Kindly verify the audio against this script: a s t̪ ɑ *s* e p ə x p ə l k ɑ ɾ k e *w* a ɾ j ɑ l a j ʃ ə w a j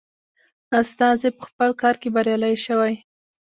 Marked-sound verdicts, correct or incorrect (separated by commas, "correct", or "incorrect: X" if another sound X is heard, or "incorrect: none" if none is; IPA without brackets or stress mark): incorrect: z, incorrect: b